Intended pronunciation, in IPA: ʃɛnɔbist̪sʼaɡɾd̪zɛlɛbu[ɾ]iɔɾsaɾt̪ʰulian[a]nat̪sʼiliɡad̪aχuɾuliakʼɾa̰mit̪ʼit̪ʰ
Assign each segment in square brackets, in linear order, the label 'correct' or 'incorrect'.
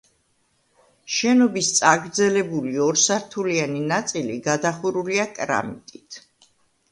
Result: incorrect, incorrect

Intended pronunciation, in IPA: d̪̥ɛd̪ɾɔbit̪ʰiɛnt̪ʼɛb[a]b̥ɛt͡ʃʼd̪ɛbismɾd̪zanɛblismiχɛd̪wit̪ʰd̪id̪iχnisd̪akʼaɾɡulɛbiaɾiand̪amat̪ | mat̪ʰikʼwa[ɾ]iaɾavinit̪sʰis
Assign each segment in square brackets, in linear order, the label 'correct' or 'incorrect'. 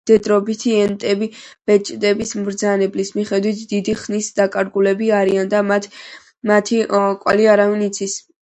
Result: incorrect, incorrect

